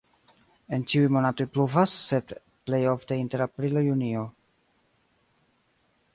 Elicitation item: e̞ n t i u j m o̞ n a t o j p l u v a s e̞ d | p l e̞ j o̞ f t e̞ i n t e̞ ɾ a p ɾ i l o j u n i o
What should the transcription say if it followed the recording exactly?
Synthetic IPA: e̞ n t͡ʃ i u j m o̞ n a t o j p l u v a sː e̞ d | p l e̞ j o̞ f t e̞ i n t e̞ ɾ a p ɾ i l o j u n i o